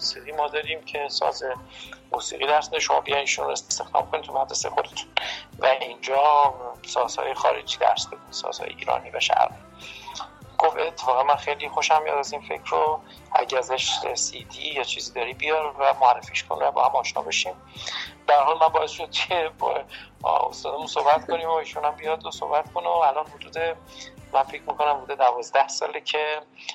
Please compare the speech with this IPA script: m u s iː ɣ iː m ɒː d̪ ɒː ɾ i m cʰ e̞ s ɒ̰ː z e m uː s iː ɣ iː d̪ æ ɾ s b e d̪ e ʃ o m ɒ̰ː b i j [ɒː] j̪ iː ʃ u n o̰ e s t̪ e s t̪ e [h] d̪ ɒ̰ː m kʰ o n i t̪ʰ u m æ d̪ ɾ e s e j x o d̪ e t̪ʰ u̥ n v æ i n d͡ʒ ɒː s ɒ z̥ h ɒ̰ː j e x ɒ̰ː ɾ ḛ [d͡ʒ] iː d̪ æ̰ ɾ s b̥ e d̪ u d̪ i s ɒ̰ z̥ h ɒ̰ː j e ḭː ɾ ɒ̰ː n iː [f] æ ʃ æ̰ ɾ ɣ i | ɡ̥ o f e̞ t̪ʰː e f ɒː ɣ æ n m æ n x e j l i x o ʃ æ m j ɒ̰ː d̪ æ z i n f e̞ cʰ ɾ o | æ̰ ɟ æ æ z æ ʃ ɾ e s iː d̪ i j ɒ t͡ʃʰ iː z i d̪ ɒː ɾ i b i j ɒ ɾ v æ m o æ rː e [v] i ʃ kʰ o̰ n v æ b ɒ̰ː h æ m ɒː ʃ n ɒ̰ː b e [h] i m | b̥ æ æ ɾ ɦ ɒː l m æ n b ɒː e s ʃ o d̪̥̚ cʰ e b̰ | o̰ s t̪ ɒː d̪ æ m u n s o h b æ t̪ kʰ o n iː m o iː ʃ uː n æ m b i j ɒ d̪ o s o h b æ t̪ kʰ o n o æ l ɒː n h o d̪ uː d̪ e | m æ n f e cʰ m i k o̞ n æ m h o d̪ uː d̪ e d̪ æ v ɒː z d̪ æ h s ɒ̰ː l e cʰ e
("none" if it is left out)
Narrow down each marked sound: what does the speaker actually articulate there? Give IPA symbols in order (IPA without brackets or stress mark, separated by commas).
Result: ɒ, x, d͡ʒ, v, f, ʃ